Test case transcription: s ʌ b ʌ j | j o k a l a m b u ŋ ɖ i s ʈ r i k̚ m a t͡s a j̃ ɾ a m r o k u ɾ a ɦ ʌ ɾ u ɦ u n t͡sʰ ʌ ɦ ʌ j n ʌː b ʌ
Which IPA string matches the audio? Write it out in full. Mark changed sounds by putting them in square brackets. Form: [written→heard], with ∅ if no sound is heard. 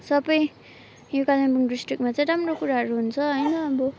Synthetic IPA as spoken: s ʌ b ʌ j | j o k a l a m b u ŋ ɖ i s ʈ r i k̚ m a t͡s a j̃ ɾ a m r o k u ɾ a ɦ ʌ ɾ u ɦ u n t͡sʰ ʌ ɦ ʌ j n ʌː b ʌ

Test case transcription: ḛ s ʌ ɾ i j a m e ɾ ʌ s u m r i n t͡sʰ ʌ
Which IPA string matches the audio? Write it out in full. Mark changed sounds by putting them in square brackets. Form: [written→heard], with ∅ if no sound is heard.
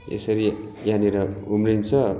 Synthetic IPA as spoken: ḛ s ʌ ɾ i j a [m→n] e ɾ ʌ [s→∅] u m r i n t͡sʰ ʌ

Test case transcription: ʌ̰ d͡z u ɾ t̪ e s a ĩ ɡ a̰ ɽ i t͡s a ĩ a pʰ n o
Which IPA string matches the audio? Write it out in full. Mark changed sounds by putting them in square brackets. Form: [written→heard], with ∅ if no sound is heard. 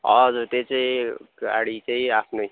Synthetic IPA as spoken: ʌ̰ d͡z u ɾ t̪ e [s→t͡s] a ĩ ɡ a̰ ɽ i t͡s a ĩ a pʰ n o

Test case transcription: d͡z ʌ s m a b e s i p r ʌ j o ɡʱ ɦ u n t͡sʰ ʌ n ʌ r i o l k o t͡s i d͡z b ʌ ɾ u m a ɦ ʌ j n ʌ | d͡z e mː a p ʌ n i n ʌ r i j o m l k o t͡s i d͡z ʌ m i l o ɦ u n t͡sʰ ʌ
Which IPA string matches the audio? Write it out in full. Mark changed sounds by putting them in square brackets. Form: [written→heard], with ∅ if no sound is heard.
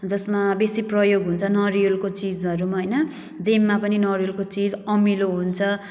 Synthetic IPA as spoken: d͡z ʌ s m a b e s i p r ʌ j o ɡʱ ɦ u n t͡sʰ ʌ n ʌ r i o l k o t͡s i d͡z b ʌ ɾ u m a ɦ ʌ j n ʌ | d͡z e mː a p ʌ n i n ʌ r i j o [m→∅] l k o t͡s i d͡z ʌ m i l o ɦ u n t͡sʰ ʌ

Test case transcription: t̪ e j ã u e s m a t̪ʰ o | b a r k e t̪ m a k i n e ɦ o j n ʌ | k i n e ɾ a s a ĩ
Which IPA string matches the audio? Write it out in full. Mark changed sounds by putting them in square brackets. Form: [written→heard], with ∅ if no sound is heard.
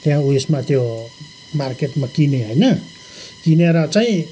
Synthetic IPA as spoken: t̪ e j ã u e s m a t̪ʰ o | [b→m] a r k e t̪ m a k i n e ɦ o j n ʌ | k i n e ɾ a [s→t͡s] a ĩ

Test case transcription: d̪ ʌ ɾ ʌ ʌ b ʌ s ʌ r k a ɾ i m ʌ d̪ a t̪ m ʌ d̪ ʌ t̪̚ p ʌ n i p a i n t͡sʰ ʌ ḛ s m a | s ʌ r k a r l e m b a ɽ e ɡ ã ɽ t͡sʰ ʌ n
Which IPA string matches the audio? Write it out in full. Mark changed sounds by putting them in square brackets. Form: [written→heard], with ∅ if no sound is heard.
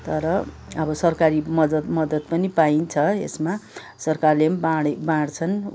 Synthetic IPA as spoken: [d̪→t̪] ʌ ɾ ʌ ʌ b ʌ s ʌ r k a ɾ i m ʌ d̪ [a→ʌ] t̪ m ʌ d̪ ʌ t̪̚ p ʌ n i p a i n t͡sʰ ʌ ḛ s m a | s ʌ r k a r l e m b a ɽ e [ɡ→b] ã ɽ t͡sʰ ʌ n

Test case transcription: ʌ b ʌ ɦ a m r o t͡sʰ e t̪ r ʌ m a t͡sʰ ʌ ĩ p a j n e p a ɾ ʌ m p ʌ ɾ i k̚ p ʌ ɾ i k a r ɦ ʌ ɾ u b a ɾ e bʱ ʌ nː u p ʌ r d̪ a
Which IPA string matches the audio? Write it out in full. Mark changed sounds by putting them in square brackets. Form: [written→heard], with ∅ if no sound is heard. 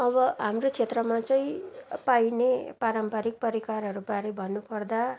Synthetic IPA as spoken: ʌ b ʌ ɦ a m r o t͡sʰ e t̪ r ʌ m a [t͡sʰ→t͡s] ʌ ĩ p a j n e p a ɾ ʌ m p ʌ ɾ i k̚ p ʌ ɾ i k a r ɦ ʌ ɾ u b a ɾ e bʱ ʌ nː u p ʌ r d̪ a

